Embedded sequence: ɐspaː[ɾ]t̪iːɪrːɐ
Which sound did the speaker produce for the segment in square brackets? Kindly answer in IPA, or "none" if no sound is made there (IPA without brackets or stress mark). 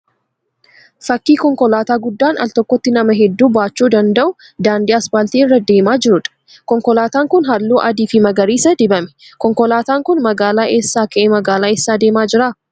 l